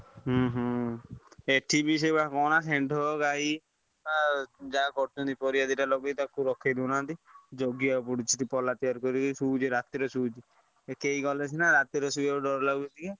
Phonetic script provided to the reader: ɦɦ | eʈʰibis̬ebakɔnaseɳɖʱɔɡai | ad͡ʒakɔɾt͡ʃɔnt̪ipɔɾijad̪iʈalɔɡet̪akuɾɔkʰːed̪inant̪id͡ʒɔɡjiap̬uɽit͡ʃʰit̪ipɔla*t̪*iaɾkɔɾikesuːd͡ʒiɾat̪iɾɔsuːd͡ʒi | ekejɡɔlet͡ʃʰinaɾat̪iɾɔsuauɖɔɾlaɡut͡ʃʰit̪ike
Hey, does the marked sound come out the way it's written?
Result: yes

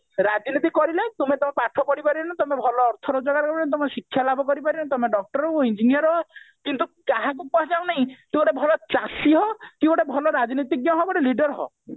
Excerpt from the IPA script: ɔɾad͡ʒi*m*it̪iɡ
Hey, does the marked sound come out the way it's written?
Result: no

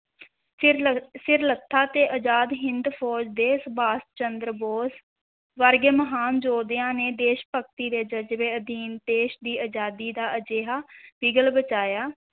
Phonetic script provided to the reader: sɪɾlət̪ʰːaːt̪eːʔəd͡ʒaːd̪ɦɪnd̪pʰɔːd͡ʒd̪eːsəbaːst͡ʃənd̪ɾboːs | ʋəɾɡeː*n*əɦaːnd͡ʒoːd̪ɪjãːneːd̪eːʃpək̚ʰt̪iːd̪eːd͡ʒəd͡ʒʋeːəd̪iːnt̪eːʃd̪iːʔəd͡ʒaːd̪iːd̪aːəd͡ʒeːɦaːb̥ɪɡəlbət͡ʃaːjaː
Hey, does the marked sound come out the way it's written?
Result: no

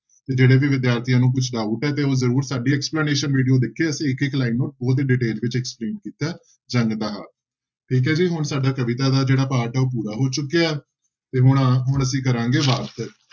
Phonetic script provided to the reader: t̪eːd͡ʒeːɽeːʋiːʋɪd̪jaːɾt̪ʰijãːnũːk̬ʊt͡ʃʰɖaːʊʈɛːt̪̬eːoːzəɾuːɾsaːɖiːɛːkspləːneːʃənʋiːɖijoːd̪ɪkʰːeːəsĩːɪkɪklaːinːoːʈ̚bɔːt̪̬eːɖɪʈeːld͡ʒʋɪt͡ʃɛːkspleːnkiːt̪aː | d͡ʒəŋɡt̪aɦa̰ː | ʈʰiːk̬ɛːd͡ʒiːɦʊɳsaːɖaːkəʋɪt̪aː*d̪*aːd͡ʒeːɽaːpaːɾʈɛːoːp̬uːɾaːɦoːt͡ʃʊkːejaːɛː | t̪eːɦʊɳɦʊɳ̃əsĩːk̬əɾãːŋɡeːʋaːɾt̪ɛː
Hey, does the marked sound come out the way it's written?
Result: yes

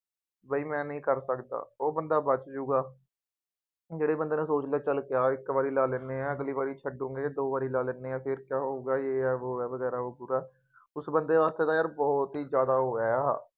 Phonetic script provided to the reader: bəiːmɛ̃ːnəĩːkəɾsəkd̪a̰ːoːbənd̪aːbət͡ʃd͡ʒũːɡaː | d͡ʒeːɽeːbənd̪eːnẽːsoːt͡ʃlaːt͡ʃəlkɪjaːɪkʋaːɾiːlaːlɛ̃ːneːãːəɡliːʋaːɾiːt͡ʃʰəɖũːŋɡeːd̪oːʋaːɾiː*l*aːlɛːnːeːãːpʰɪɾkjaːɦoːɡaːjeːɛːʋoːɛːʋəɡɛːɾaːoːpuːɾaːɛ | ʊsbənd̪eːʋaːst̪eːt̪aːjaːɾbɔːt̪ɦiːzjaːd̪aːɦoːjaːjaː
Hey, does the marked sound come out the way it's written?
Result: yes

